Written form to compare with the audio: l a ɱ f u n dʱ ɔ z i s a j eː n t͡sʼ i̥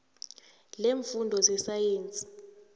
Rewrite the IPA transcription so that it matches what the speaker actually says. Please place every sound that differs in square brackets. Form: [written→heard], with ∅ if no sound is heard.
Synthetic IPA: l [a→e] ɱ f u n dʱ ɔ z [i→ɛ] s a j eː n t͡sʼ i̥